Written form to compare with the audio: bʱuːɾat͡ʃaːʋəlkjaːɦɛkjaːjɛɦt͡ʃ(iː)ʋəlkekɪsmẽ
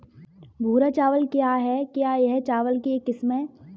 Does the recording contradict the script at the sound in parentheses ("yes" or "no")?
yes